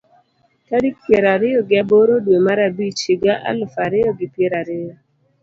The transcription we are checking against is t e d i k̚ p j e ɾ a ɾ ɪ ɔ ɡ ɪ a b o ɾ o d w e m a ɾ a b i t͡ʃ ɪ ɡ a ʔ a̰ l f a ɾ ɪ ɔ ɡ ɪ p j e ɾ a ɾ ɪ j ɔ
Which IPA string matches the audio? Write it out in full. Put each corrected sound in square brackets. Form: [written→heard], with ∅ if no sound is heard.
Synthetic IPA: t [e→a] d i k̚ p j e ɾ a ɾ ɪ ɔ ɡ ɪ a b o ɾ o d w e m a ɾ a b i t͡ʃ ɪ ɡ a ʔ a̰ l f a ɾ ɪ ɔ ɡ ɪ p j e ɾ a ɾ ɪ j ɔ